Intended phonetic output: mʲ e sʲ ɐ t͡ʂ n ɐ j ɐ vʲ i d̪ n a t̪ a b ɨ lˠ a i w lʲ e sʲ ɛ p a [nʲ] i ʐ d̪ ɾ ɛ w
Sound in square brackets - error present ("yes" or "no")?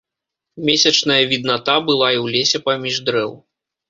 yes